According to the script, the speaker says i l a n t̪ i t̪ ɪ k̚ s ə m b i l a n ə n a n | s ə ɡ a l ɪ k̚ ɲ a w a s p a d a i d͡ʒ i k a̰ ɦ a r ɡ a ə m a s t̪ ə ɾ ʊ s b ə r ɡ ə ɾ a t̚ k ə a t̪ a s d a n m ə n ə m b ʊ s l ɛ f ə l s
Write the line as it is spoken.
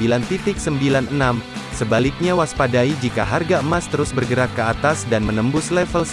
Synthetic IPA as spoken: i l a n t̪ i t̪ ɪ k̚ s ə m b i l a n ə n a m | s ə b a l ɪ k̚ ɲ a w a s p a d a i d͡ʒ i k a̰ ɦ a r ɡ a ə m a s t̪ ə ɾ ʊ s b ə r ɡ ə ɾ a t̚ k ə a t̪ a s d a n m ə n ə m b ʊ s l ɛ f ə l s